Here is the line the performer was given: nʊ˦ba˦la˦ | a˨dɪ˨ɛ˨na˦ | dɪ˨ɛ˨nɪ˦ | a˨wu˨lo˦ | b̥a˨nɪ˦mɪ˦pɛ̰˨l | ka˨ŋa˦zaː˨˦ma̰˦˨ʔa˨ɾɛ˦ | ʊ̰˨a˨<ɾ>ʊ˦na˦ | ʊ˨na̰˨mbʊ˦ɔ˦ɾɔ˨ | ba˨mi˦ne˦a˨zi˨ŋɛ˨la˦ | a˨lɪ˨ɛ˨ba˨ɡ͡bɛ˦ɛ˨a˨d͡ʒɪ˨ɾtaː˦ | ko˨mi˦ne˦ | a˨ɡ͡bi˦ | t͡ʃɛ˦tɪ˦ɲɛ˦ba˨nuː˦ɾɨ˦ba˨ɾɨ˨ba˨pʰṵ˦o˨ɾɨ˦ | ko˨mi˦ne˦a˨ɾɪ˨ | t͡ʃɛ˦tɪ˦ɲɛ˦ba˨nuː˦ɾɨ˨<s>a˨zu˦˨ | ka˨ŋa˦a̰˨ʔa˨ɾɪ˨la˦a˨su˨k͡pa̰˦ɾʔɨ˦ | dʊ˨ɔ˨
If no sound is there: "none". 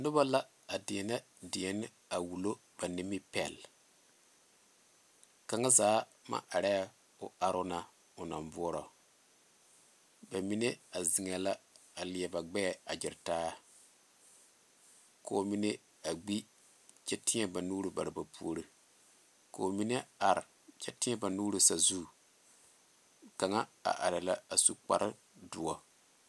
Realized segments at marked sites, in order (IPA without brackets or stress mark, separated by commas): ɾ, s